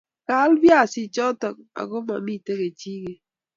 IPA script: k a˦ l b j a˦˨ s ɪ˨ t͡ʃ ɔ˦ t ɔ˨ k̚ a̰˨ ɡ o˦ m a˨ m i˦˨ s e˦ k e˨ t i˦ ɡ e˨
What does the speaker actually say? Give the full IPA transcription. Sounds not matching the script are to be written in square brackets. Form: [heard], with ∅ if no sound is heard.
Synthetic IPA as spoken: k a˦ l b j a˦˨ s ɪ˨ t͡ʃ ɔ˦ t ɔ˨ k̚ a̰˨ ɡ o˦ m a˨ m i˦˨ [t] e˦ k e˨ [t͡ʃ] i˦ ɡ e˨

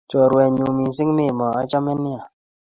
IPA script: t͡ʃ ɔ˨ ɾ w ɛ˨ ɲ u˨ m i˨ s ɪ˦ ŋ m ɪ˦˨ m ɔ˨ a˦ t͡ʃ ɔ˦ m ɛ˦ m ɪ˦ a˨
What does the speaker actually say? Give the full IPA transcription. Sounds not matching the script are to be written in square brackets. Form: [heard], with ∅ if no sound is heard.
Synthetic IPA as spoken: t͡ʃ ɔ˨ ɾ w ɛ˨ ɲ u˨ m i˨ s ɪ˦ ŋ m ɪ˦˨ m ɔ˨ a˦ t͡ʃ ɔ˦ m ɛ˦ [n] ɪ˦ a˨

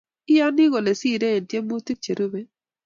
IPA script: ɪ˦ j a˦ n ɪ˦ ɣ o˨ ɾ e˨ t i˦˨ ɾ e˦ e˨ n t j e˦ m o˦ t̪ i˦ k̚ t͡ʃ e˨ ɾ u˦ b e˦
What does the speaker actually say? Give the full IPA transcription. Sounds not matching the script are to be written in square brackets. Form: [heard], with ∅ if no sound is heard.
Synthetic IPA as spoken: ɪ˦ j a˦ n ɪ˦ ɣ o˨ [l] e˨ [s] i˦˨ ɾ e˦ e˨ n t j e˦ m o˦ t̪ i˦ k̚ t͡ʃ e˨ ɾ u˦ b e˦

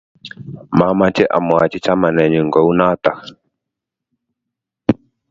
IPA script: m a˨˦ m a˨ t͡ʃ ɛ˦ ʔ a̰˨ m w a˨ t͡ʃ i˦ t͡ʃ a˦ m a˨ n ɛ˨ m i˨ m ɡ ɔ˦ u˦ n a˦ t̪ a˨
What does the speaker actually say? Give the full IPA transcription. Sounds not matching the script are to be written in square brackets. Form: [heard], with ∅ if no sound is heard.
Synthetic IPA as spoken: m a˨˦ m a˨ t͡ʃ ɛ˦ ʔ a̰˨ m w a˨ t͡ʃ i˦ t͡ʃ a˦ m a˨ n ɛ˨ [ɲ] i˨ [ŋ] ɡ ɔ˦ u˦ n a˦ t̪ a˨

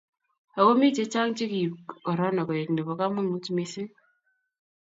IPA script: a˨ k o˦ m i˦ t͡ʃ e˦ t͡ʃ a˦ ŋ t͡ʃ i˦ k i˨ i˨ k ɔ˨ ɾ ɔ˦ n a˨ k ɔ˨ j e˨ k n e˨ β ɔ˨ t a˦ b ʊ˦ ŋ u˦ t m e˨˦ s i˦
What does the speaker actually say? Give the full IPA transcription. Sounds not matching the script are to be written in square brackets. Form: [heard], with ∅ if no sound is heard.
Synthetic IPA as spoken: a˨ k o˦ m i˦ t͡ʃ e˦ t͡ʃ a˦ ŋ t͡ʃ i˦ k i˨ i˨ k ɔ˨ ɾ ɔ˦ n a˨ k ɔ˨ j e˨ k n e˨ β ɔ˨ [k] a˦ [m] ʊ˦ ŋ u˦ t m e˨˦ s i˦

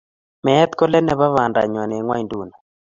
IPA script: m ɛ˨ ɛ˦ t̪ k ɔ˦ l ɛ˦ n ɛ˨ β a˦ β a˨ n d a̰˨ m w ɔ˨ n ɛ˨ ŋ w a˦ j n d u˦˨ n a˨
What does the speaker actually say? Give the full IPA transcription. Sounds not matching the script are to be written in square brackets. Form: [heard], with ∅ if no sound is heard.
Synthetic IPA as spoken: m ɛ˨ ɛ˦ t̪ k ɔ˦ l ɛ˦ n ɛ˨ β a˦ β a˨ n d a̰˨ [ɲ] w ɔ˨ n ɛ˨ ŋ w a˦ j n d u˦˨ n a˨

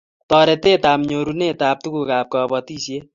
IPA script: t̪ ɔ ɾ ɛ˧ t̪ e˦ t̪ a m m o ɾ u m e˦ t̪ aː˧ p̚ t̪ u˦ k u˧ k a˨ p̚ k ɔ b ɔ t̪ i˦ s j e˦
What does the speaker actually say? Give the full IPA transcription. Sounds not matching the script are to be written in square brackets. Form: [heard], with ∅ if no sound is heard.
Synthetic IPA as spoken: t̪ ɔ ɾ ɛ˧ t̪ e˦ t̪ a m [ɲ] o ɾ u [n] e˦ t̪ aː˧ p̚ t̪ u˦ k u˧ k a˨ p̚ k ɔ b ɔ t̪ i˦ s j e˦

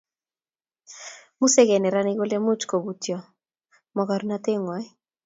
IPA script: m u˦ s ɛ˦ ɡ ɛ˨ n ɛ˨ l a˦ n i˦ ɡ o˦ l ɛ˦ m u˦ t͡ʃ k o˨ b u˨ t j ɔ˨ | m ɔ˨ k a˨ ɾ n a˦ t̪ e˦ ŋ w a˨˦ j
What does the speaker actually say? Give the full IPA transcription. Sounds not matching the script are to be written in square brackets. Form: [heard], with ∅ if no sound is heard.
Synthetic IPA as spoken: m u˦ s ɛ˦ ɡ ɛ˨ n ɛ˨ [ɾ] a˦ n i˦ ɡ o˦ l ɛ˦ m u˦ t͡ʃ k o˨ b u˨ t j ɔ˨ | m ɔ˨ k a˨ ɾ n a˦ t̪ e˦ ŋ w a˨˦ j

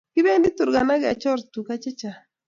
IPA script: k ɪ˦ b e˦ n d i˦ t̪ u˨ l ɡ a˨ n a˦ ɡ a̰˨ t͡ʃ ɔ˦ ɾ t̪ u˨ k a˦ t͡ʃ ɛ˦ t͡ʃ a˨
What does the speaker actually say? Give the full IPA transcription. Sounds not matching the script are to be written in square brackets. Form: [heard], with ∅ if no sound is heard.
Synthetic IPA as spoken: k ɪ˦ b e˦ n d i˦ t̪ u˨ [ɾ] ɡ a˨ n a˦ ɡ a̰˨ t͡ʃ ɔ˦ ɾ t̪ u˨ k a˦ t͡ʃ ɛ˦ t͡ʃ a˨

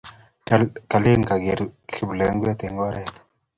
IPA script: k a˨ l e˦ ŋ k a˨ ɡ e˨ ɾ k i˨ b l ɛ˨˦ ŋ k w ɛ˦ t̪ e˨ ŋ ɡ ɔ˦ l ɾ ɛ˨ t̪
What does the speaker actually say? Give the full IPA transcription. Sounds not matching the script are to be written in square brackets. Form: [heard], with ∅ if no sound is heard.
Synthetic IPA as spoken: k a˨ l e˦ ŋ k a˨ ɡ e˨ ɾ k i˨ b l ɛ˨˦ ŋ [ɡ] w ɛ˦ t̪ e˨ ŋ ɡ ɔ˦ [∅] ɾ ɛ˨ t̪

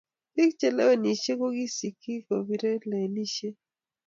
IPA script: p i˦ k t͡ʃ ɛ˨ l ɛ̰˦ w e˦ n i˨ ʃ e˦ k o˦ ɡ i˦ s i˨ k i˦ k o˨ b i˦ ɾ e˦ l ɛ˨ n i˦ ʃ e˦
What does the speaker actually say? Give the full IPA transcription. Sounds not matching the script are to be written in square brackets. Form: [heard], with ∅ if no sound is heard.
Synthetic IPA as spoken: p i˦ k t͡ʃ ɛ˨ l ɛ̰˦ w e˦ n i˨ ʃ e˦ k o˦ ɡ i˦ s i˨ k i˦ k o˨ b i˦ ɾ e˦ l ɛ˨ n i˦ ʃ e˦

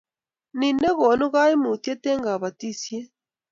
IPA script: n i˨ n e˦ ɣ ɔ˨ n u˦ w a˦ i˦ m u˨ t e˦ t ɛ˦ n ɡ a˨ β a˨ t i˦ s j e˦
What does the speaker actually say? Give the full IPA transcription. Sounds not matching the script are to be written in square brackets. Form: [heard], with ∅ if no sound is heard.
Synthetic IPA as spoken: n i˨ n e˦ ɣ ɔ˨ n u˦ [ɣ] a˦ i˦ m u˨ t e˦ t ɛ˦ [ŋ] ɡ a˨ β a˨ t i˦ s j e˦

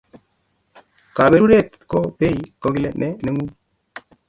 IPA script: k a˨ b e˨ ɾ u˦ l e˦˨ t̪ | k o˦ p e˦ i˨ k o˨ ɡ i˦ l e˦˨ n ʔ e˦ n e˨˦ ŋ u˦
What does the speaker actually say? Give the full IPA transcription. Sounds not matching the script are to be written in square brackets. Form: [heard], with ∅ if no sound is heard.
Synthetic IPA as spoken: k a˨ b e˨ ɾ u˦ [ɾ] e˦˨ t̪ | k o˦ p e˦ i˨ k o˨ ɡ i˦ l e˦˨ n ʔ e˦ n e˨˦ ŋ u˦

